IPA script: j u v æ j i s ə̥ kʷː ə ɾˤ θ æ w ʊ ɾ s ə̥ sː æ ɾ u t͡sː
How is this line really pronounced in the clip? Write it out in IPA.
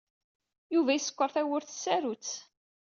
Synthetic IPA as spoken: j u v æ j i s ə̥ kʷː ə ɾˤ θ æ w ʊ ɾ θ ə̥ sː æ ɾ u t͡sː